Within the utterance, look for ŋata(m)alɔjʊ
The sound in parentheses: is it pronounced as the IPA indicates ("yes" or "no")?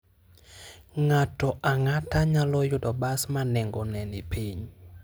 no